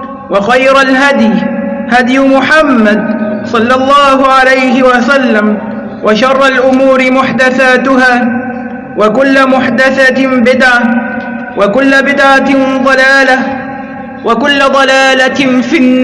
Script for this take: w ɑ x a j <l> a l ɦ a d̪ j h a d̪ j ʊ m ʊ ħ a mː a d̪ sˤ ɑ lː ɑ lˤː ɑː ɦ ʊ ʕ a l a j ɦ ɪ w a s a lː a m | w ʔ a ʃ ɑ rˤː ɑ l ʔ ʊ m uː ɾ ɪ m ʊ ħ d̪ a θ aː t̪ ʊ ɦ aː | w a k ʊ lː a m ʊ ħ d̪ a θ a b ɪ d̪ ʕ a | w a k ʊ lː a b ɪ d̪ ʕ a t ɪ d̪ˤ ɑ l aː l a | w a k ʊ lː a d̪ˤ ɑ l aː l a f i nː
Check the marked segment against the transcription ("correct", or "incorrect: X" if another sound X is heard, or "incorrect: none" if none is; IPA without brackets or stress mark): incorrect: ɾ